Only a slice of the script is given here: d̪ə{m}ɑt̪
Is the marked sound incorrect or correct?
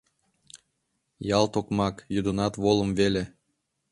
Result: incorrect